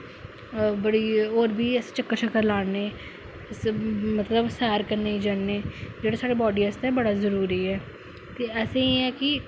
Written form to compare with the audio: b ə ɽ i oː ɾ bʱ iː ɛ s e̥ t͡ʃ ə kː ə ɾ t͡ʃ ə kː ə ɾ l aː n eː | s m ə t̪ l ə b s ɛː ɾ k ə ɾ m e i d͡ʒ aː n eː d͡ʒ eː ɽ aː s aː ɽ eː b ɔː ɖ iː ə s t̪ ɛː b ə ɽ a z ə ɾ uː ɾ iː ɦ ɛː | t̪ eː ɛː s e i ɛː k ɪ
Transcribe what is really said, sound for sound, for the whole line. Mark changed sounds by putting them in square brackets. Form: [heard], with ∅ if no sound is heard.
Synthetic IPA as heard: b ə ɽ i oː ɾ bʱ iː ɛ s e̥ t͡ʃ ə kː ə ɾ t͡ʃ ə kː ə ɾ l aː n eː | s m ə t̪ l ə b s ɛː ɾ k ə ɾ [n] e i d͡ʒ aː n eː d͡ʒ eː ɽ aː s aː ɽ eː b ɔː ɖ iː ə s t̪ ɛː b ə ɽ a z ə ɾ uː ɾ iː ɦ ɛː | t̪ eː ɛː s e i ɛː k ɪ